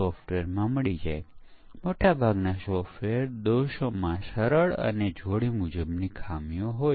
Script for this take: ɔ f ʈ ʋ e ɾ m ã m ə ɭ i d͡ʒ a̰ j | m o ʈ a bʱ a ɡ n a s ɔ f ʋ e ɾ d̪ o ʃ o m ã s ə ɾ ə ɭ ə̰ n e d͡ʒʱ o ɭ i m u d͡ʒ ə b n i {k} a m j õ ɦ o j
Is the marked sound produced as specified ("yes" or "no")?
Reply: no